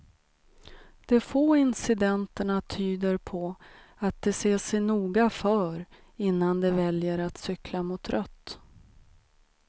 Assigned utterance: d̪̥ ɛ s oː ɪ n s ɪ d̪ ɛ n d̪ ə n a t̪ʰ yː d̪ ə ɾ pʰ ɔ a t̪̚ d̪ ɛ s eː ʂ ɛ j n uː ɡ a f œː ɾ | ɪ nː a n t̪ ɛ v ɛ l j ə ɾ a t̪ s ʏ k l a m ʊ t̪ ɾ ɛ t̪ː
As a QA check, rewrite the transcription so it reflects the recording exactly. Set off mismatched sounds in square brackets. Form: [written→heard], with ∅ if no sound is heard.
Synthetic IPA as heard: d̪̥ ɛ [s→f] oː ɪ n s ɪ d̪ ɛ n [d̪→t̪] ə [n→ɳ] a t̪ʰ yː d̪ ə ɾ pʰ ɔ a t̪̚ d̪ ɛ s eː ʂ ɛ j n uː ɡ a f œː ɾ | ɪ nː a n [t̪→d̪] ɛ v ɛ l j ə ɾ a t̪ s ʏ k l a m ʊ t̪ ɾ [ɛ→œ] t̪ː